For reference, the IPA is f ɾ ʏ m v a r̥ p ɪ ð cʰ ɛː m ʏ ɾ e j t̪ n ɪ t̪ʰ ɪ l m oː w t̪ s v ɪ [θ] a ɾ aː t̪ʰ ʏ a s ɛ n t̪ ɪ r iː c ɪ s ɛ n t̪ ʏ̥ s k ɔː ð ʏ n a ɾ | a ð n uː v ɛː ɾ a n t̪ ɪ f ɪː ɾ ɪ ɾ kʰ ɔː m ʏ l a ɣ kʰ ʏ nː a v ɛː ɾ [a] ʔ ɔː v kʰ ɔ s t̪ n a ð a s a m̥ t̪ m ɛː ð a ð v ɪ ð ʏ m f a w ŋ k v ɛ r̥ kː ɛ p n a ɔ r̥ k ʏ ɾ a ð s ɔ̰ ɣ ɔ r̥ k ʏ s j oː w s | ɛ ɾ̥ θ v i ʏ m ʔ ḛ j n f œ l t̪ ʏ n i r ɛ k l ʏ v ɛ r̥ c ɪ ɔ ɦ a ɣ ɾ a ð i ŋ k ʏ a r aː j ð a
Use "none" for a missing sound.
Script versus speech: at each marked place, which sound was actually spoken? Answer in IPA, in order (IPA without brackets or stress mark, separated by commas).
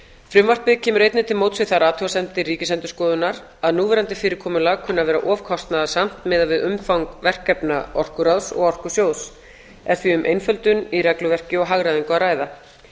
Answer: θ, a